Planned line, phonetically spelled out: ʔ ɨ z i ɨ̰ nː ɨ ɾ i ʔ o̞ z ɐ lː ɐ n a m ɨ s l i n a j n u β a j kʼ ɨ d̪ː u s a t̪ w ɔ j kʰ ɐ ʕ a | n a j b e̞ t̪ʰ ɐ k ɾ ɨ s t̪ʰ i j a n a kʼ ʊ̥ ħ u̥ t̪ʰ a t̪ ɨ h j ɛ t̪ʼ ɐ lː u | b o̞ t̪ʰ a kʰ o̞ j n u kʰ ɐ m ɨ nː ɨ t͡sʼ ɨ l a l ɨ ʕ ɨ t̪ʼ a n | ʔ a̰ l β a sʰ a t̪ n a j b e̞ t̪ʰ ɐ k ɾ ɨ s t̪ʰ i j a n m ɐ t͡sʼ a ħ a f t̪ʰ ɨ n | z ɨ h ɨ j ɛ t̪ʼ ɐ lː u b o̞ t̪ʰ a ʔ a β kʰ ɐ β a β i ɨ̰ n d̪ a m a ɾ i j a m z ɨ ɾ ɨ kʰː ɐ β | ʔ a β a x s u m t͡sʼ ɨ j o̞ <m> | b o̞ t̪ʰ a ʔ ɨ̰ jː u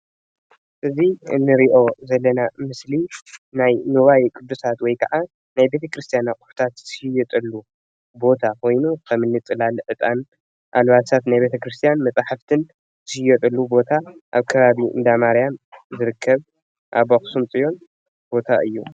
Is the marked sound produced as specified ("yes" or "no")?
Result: no